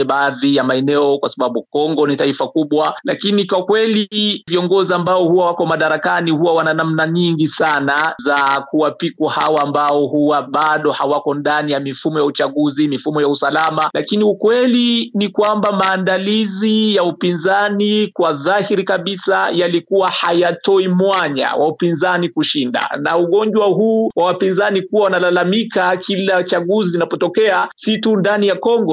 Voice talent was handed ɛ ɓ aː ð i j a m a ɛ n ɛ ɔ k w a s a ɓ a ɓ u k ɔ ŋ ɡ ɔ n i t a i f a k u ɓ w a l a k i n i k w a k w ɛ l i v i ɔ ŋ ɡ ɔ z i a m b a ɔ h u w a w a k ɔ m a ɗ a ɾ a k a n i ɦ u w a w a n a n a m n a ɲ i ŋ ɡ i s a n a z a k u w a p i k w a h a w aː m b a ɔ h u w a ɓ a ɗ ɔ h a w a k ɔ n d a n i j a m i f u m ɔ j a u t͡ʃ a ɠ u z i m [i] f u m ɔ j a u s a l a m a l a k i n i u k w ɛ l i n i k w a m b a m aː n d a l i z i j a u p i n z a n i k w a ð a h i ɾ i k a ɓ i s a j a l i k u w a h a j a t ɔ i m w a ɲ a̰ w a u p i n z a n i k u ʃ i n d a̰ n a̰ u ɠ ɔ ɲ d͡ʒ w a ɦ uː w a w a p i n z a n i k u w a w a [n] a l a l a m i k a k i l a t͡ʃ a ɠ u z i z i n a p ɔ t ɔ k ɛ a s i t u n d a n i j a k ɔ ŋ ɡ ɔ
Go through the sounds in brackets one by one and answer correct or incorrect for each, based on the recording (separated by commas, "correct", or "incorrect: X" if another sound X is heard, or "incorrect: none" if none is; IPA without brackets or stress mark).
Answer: correct, correct